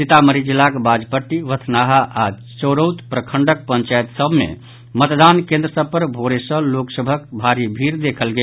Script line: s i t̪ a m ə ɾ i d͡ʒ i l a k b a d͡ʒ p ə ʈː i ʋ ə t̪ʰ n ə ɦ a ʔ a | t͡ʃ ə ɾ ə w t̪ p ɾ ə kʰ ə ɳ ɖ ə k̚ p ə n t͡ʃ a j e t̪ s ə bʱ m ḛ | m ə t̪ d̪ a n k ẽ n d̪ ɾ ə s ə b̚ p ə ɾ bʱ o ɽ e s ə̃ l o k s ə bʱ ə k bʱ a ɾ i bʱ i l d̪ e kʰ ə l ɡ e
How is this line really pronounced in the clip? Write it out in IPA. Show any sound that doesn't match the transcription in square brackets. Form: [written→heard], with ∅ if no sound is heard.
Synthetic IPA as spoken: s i t̪ a m ə ɾ i d͡ʒ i l a k b a d͡ʒ p ə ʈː i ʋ ə t̪ʰ n [ə→a] ɦ a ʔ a | t͡ʃ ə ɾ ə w t̪ p ɾ ə kʰ ə ɳ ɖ ə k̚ p ə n t͡ʃ a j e t̪ s ə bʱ m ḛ | m ə t̪ d̪ a n k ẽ n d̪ ɾ ə s ə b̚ p ə ɾ bʱ o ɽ e s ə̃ l o k s ə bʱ ə k bʱ a ɾ i bʱ i [l→ɾ] d̪ e kʰ ə l ɡ e